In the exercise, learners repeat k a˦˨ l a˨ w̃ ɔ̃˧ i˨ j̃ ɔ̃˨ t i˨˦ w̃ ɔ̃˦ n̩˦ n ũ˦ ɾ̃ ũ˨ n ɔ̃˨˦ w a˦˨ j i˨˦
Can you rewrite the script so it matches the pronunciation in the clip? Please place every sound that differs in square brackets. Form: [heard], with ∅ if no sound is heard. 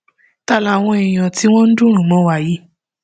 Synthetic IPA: [t] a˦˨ l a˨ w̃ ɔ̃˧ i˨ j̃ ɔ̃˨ t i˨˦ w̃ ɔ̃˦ n̩˦ [d] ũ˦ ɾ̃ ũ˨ [m] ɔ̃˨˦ w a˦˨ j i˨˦